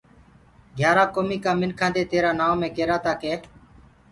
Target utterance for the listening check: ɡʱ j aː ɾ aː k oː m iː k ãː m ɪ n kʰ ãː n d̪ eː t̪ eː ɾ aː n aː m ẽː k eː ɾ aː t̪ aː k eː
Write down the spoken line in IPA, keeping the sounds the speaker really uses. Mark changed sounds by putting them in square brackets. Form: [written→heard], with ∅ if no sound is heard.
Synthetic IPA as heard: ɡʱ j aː ɾ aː k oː m iː k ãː m ɪ n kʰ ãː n d̪ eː t̪ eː ɾ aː n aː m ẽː k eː ɾ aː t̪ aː k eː